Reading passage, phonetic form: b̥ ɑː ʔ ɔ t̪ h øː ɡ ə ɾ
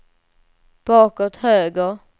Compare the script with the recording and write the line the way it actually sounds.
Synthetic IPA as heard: b̥ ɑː k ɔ t̪ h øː ɡ ə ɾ

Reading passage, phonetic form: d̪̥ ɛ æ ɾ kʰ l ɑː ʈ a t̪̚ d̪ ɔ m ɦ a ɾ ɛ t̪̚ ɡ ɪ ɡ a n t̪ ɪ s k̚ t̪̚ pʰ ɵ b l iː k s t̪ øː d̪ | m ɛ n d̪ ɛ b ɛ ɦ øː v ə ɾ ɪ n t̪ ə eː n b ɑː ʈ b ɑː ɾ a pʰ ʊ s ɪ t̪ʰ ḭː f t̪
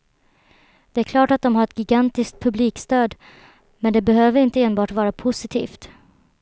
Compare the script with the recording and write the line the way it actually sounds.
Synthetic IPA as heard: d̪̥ ɛ æ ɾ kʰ l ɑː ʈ a t̪̚ d̪ ɔ m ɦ a ɾ ɛ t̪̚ ɡ ɪ ɡ a n t̪ ɪ s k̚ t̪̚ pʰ ɵ b l iː k s t̪ øː d̪ | m ɛ n d̪ ɛ b ɛ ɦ øː v ə ɾ ɪ n t̪ ə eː n b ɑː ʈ v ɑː ɾ a pʰ ʊ s ɪ t̪ʰ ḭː f t̪

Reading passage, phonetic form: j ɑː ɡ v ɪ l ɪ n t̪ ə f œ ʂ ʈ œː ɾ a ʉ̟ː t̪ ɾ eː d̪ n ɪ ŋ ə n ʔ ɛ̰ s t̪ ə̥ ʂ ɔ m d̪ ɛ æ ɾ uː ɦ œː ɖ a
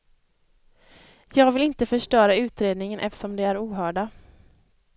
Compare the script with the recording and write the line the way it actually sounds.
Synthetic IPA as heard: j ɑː ɡ v ɪ l ɪ n t̪ ə f œ ʂ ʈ œː ɾ a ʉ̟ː t̪ ɾ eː d̪ n ɪ ŋ ə n ʔ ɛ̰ f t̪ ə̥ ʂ ɔ m d̪ ɛ æ ɾ uː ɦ œː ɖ a

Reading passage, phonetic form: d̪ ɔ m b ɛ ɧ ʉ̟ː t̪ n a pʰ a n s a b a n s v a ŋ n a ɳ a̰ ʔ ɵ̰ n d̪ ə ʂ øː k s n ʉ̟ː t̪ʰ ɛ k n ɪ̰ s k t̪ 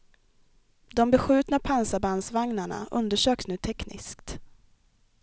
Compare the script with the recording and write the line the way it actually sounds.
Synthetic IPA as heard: d̪ ɔ m b ɛ ɧ ʉ̟ː t̪ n a pʰ a n s a b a n s v a ŋ n a ɳ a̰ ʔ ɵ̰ n d̪ ə ʂ øː k s n ʉ̟ː t̪ʰ ɛ k n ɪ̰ s k t̪

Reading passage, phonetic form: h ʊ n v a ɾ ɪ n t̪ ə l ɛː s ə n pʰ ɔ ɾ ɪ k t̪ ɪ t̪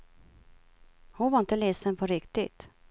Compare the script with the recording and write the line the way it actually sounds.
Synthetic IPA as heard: h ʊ n v a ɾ ɪ n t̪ ə l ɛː s ə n pʰ ɔ ɾ ɪ k t̪ ɪ t̪

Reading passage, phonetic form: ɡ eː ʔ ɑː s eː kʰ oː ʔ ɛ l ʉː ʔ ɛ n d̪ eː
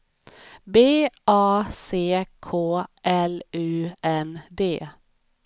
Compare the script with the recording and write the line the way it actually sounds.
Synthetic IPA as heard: b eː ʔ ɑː s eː kʰ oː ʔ ɛ l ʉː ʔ ɛ n d̪ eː

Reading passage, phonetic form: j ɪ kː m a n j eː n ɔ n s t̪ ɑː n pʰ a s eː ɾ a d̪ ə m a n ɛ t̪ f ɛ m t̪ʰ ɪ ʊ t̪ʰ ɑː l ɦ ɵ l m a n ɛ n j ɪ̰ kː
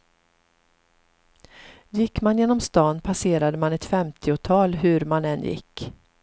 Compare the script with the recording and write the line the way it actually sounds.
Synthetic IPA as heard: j ɪ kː m a n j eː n ɔ m s t̪ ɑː n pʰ a s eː ɾ a d̪ ə m a n ɛ t̪ f ɛ m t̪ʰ ɪ ʊ t̪ʰ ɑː l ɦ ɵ ɾ m a n ɛ n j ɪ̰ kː

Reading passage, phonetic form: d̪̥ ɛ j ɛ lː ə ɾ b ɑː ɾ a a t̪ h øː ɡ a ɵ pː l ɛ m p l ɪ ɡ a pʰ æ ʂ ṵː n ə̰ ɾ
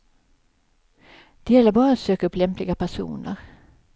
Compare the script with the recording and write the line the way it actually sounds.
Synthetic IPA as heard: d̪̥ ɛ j ɛ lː ə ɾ b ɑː ɾ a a t̪ s øː k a ɵ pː l ɛ m p l ɪ ɡ a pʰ æ ʂ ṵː n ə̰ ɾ

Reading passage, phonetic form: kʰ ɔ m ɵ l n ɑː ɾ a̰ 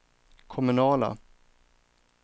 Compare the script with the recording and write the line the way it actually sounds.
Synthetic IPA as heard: kʰ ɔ m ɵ n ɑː l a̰

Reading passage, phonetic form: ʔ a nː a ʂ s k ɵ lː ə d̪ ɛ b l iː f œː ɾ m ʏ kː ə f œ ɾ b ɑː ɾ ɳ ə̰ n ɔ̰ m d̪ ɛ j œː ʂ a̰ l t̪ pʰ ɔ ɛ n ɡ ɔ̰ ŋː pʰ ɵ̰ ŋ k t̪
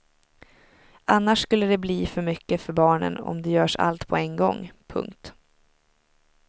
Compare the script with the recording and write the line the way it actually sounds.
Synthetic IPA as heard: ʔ a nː a ʂ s k ɵ lː ə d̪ ɛ b l iː f œ ɾ m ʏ kː ə f œ ɾ b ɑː ɳ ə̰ n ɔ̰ m d̪ ɛ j œː ʂ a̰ l t̪ pʰ ɔ ɛ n ɡ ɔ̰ ŋː pʰ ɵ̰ ŋ k t̪

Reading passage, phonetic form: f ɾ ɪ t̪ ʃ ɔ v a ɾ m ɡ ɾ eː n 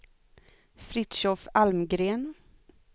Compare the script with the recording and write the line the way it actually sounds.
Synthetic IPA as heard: f ɾ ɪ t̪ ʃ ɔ f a l m ɡ ɾ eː n

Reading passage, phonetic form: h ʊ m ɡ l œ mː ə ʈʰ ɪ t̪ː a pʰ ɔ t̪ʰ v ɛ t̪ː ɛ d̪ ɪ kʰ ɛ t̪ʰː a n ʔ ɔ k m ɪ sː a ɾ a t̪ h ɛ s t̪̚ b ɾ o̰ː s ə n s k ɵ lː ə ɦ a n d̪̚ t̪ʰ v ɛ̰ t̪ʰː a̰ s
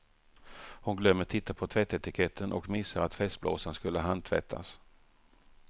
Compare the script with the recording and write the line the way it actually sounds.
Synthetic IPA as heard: h ʊ n ɡ l œ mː ə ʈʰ ɪ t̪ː a pʰ ɔ t̪ʰ v ɛ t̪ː ɛ t̪ ɪ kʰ ɛ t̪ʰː ə n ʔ ɔ k m ɪ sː a ɾ a t̪ f ɛ s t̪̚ b l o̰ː s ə n s k ɵ lː ə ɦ a n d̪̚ t̪ʰ v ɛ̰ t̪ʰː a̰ s

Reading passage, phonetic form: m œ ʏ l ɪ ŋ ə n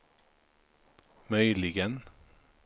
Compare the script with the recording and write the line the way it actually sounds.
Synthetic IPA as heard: m œ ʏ l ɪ ɡ ə n

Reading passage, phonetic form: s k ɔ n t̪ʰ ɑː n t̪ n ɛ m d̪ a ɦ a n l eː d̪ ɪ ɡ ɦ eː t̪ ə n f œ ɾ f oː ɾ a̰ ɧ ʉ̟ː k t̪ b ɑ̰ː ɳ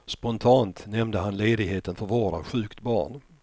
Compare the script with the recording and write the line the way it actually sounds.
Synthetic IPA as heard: s p ɔ n t̪ʰ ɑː n t̪ n ɛ m d̪ ə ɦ a n l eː d̪ ɪ ɡ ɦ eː t̪ ə n f œ ɾ v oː ɾ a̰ ɧ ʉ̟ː k t̪ b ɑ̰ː ɳ

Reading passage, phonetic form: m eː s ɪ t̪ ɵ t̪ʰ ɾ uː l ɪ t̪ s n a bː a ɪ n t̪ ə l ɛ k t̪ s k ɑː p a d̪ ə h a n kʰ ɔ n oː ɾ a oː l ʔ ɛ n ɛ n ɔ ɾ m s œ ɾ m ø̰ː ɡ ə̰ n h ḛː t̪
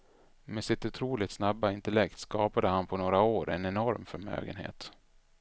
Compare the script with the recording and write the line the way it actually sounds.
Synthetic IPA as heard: m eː s ɪ t̪ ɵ t̪ʰ ɾ uː l ɪ t̪ s n a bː a ɪ n t̪ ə l ɛ k t̪ s k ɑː p a d̪ ə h a n pʰ ɔ n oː ɾ a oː ɾ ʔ ɛ n ɛ n ɔ ɾ m f œ ɾ m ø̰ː ɡ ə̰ n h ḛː t̪

